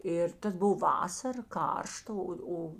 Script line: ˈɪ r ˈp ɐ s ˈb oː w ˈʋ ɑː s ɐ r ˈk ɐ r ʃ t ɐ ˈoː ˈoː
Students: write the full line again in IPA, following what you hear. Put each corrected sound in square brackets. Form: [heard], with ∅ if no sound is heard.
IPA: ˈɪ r [ˈt] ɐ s ˈb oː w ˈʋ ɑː s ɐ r ˈk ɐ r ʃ t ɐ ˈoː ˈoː